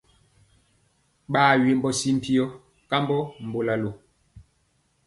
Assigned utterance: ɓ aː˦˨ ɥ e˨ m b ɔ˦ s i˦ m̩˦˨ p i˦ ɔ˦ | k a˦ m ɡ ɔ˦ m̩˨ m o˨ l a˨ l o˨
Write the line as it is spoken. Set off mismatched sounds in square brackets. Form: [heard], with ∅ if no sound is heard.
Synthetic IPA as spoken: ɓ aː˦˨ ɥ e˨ m b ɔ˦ s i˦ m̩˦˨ p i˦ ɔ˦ | k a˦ m [b] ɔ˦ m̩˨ [b] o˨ l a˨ l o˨